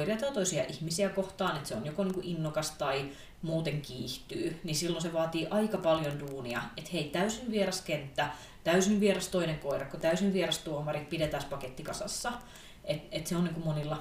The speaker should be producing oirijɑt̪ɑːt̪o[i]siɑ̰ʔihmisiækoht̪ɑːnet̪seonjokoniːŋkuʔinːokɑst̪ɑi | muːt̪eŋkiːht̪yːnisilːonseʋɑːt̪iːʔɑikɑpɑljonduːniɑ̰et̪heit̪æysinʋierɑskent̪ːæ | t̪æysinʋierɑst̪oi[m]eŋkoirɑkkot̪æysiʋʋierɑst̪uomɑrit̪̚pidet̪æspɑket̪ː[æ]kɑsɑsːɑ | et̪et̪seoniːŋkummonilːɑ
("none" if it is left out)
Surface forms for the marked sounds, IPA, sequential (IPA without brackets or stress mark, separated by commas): i, n, i